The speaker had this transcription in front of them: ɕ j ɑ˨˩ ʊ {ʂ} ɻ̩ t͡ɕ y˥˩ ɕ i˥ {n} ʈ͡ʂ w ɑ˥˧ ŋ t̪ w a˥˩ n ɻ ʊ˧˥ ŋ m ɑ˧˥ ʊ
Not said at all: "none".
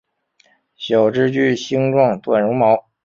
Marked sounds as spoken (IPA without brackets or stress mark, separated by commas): ʈ͡ʂ, ŋ